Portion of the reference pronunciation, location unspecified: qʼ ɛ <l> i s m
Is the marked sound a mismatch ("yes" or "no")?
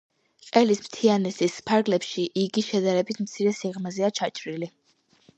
no